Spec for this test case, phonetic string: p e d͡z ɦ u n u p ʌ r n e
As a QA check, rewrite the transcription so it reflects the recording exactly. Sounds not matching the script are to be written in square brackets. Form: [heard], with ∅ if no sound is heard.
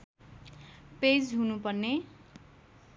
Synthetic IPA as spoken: p e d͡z ɦ u n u p ʌ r n e